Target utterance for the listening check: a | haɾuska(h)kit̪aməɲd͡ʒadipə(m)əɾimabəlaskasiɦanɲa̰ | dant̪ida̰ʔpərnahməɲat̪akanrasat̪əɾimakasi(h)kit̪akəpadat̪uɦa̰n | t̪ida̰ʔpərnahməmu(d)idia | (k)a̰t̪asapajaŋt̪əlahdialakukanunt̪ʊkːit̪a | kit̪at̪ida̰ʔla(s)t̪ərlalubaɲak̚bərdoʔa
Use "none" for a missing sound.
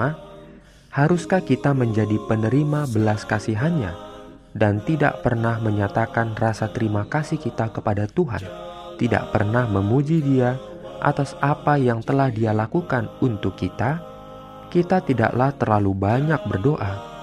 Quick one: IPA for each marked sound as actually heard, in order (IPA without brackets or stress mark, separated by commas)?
h, n, h, d͡ʒ, ʔ, h